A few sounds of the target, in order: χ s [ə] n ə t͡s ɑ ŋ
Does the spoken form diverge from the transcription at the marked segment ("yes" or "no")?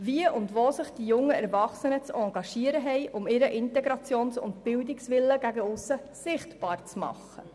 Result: no